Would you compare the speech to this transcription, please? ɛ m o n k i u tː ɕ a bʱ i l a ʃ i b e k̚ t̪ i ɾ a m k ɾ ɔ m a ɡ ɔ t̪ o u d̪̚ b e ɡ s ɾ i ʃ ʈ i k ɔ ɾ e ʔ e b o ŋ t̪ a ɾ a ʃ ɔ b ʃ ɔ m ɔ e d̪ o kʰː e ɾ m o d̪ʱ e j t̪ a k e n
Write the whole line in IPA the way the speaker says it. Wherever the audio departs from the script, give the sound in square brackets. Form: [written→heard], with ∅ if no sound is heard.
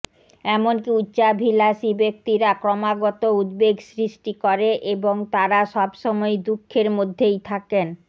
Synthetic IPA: ɛ m o n k i u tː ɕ a bʱ i l a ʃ i b e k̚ t̪ i ɾ a [m→∅] k ɾ ɔ m a ɡ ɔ t̪ o u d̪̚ b e ɡ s ɾ i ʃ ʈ i k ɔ ɾ e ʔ e b o ŋ t̪ a ɾ a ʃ ɔ b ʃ ɔ m ɔ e d̪ [o→u] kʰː e ɾ m o [d̪ʱ→d̪ʱː] e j [t̪→t̪ʰ] a k e n